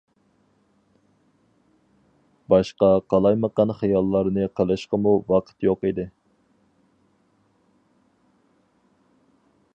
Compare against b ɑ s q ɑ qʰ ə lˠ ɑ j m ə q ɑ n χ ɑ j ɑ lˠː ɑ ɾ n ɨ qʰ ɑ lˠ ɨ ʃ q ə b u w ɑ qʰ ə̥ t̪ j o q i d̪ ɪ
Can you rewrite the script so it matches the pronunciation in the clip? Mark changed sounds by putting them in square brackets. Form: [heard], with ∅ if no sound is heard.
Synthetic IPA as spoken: b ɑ [ʃ] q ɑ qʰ [ɑ] lˠ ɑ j m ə q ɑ n χ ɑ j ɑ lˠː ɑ ɾ n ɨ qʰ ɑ lˠ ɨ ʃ q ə [m] u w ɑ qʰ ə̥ t̪ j o q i d̪ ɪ